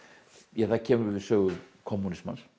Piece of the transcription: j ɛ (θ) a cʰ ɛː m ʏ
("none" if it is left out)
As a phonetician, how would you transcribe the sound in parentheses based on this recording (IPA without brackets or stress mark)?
θ